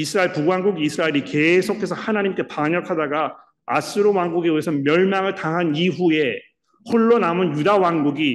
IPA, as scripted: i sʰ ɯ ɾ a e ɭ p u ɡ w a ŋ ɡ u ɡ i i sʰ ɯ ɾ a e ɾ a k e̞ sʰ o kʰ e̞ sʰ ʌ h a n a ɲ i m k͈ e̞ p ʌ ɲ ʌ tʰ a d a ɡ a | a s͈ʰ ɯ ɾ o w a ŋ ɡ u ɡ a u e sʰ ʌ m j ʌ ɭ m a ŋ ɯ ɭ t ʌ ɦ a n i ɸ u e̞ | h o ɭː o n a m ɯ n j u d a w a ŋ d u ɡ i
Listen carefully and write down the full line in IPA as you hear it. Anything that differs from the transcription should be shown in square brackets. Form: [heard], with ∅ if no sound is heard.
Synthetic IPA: i sʰ ɯ ɾ a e ɭ p u ɡ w a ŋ ɡ u ɡ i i sʰ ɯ ɾ a e ɾ [i] k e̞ sʰ o kʰ e̞ sʰ ʌ h a n a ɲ i m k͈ e̞ p [a] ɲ ʌ [kʰ] a d a ɡ a | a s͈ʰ ɯ ɾ o w a ŋ ɡ u ɡ [e] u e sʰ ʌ m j ʌ ɭ m a ŋ ɯ ɭ t [a] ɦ a n i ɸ u e̞ | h o ɭː o n a m ɯ n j u d a w a ŋ [ɡ] u ɡ i